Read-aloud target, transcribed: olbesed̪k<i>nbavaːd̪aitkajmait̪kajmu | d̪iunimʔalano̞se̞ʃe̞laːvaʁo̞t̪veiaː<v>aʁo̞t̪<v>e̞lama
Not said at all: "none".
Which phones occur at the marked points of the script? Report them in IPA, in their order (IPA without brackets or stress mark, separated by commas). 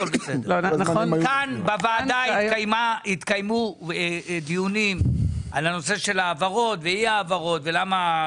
a, v, v